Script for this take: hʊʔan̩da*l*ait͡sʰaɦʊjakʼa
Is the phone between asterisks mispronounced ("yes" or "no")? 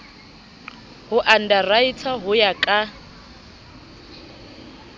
yes